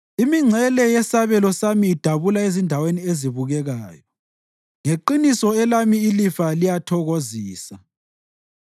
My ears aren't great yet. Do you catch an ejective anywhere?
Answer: no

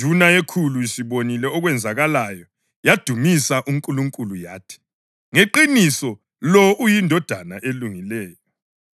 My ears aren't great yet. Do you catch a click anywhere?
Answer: yes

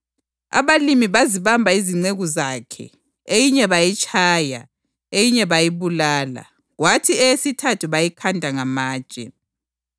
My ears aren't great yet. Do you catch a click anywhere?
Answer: yes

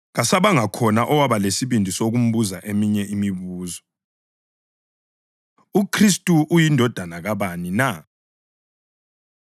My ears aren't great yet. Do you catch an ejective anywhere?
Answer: yes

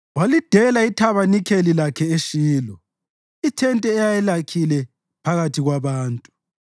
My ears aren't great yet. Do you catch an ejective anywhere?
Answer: yes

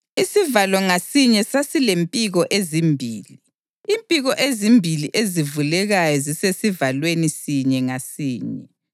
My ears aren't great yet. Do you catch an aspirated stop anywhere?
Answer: no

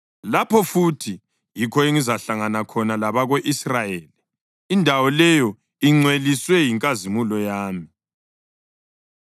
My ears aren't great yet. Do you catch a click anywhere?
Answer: yes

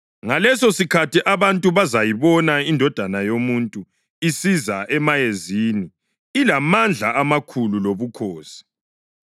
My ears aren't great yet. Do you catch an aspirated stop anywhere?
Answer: yes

